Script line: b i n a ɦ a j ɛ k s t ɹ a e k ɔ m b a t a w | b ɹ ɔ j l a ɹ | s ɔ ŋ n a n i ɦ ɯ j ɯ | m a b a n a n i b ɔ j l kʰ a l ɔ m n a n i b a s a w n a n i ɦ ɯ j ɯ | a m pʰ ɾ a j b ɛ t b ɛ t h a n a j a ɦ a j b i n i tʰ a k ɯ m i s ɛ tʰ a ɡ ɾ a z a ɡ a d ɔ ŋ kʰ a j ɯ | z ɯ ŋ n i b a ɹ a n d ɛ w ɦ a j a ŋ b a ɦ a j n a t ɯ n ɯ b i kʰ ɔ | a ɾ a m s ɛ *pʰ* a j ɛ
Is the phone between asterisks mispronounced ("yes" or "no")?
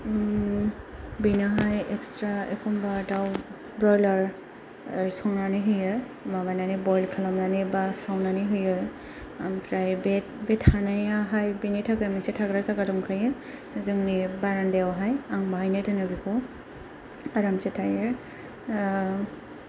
yes